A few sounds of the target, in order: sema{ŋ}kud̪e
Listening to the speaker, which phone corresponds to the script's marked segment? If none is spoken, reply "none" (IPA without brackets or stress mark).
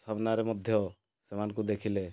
n